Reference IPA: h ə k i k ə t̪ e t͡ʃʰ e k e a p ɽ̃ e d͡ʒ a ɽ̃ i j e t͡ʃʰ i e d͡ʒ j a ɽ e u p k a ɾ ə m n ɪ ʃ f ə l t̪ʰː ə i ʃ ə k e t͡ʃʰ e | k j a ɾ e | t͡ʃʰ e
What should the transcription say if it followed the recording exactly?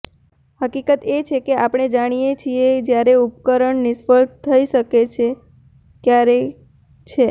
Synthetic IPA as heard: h ə k i k ə t̪ e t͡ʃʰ e k e a p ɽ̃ e d͡ʒ a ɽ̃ i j e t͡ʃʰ i e d͡ʒ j a ɾ e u p k ə ɾ ə ɳ n ɪ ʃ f ə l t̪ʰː ə i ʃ ə k e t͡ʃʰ e | k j a ɾ e | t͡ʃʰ e